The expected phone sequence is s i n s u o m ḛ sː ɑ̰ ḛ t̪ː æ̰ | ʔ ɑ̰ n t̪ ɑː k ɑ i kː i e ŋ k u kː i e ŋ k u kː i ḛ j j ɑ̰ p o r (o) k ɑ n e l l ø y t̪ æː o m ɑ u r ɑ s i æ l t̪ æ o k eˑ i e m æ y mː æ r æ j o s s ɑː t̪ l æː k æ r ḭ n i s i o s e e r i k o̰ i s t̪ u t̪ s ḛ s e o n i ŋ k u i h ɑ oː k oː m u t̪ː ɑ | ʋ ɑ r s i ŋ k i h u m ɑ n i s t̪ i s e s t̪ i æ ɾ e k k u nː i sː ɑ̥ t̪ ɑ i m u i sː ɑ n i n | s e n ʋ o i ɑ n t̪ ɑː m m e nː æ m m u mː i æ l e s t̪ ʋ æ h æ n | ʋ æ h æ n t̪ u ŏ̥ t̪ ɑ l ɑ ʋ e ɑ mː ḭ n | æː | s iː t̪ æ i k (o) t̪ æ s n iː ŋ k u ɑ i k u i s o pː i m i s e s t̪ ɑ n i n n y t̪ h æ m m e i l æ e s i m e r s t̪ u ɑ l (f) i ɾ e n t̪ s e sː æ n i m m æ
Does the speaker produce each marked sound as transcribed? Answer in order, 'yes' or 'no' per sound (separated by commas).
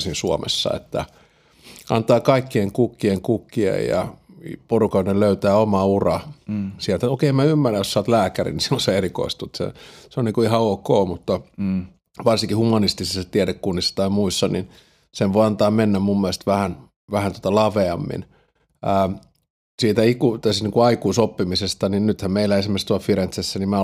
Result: no, no, yes